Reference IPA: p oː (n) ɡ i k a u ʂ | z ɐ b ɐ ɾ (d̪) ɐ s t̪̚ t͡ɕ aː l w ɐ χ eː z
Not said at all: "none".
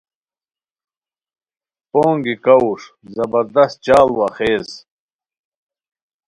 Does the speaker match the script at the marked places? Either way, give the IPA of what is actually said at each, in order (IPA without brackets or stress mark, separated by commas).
ŋ, d̪